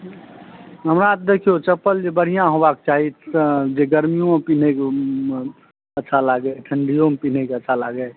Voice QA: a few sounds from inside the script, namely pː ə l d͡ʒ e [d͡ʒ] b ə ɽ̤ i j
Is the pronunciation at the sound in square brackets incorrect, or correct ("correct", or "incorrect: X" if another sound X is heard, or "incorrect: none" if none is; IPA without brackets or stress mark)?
incorrect: none